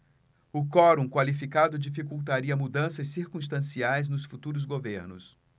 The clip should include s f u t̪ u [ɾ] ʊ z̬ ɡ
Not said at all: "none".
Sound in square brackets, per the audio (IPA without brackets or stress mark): ɾ